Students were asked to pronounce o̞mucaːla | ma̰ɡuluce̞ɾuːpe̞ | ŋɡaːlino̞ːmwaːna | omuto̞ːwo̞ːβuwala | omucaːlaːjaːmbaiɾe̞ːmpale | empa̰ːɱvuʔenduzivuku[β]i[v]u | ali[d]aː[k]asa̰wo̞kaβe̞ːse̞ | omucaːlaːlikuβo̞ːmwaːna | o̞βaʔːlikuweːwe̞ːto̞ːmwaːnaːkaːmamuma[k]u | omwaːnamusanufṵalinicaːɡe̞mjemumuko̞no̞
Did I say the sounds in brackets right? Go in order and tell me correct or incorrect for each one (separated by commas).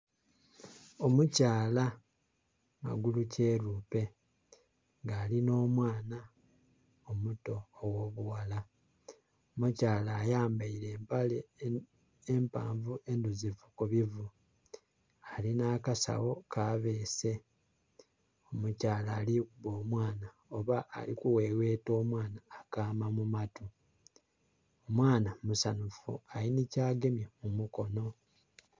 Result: correct, correct, incorrect, correct, incorrect